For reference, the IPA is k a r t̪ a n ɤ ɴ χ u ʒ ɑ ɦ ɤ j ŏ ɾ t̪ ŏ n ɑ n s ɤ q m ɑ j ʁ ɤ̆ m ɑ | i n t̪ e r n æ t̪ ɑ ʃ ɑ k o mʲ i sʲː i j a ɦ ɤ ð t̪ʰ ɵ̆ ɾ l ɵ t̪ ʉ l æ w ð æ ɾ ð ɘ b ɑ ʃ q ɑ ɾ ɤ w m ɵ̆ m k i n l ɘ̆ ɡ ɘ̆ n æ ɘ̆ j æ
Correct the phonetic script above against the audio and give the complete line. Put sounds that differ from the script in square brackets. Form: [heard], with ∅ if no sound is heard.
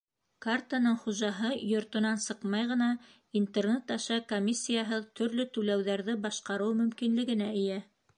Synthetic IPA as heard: k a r t̪ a n ɤ ɴ χ u ʒ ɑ ɦ ɤ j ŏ ɾ t̪ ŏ n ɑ n s ɤ q m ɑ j ʁ ɤ̆ [n] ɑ | i n t̪ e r n [e] t̪ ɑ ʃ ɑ k o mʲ i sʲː i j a ɦ ɤ ð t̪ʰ ɵ̆ ɾ l ɵ t̪ ʉ l æ w ð æ ɾ ð ɘ b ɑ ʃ q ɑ ɾ ɤ w m ɵ̆ m k i n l ɘ̆ ɡ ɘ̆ n æ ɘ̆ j æ